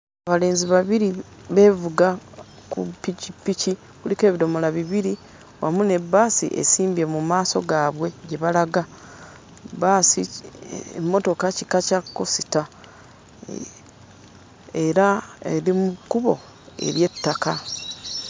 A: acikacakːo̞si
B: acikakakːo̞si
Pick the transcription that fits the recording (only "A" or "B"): A